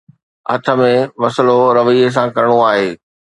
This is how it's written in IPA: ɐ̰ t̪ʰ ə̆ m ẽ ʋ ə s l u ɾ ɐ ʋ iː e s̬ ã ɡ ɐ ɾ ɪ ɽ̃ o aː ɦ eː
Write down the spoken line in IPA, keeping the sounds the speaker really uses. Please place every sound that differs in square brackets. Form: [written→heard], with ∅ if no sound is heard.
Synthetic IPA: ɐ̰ t̪ʰ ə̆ m ẽ ʋ [ə→ɐ] s l [u→o] ɾ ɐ ʋ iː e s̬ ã [ɡ→k] ɐ ɾ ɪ ɽ̃ o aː ɦ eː